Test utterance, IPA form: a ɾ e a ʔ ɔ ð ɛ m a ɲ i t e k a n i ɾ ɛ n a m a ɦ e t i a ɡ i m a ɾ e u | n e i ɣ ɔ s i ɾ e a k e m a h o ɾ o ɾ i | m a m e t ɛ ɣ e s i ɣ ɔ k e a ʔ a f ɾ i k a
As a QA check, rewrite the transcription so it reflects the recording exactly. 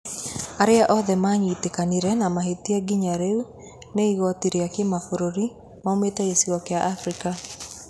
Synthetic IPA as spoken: a ɾ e a ʔ ɔ ð ɛ m a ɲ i t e k a n i ɾ ɛ n a m a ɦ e t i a ɡ i ɲ a ɾ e u | n e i ɣ ɔ t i ɾ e a k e m a f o ɾ o ɾ i | m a m e t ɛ ɣ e s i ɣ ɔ k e a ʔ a f ɾ i k a